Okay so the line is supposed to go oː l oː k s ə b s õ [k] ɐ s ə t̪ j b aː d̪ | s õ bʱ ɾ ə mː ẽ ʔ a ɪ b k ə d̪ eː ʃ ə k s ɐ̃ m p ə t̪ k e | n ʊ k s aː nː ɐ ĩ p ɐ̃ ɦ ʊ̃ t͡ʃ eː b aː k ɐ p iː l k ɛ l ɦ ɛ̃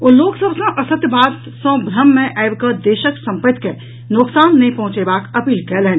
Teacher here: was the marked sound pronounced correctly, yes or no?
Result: no